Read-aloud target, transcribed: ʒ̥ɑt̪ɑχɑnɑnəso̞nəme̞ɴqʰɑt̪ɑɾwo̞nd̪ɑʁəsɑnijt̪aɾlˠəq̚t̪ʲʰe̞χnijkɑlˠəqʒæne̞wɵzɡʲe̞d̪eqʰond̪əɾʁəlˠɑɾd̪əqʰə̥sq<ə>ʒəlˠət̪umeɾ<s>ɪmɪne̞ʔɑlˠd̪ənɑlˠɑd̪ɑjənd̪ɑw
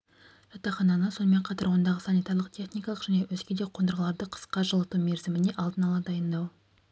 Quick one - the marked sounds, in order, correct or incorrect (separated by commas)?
incorrect, incorrect